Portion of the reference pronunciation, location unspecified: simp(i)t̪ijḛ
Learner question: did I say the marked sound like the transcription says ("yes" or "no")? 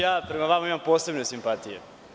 no